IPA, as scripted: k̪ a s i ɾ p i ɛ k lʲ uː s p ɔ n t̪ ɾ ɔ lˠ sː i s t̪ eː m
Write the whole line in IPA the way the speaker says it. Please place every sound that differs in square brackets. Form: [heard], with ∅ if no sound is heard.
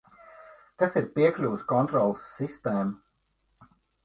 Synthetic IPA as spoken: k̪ a s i ɾ p i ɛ k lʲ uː s [k] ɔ n t̪ ɾ ɔ lˠ sː i s t̪ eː m